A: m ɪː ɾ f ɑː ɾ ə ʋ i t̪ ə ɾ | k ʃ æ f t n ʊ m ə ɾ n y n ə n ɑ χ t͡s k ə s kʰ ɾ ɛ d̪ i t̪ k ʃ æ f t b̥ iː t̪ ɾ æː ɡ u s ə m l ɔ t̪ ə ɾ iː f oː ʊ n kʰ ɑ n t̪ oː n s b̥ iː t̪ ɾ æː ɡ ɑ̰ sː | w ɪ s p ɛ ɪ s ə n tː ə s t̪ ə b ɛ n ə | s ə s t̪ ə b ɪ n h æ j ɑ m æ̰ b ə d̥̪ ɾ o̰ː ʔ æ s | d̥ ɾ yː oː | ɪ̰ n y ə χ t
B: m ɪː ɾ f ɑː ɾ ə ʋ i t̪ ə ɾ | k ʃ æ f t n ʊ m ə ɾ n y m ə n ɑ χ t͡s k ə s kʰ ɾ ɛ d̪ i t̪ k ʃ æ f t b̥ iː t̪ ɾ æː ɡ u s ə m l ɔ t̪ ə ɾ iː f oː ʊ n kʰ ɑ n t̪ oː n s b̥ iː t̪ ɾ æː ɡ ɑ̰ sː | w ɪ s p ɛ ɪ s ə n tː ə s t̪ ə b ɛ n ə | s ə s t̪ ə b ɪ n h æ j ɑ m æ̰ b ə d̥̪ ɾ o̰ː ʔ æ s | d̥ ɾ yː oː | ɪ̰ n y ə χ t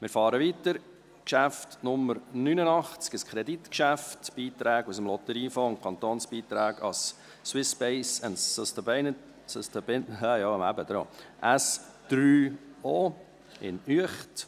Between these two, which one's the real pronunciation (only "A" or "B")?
A